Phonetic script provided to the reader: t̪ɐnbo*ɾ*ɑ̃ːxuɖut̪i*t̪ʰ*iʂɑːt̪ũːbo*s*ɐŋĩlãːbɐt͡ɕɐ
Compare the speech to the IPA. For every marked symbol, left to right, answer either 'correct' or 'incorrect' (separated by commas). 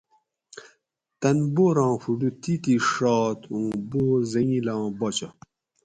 correct, incorrect, incorrect